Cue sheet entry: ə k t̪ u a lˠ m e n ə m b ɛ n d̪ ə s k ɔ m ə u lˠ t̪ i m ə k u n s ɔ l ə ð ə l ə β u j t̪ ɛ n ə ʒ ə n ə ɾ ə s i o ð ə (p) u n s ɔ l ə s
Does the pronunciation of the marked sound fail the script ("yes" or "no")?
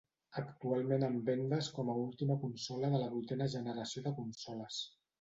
yes